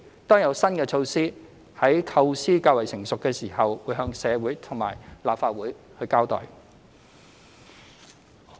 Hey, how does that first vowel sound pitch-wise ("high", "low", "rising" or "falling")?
high